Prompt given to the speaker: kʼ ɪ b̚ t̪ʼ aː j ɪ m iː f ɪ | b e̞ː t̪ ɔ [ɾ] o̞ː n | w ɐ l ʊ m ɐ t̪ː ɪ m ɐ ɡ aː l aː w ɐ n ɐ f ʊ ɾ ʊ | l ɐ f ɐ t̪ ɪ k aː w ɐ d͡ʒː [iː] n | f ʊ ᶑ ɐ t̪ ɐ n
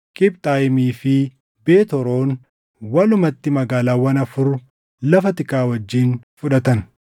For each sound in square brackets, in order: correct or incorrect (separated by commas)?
correct, correct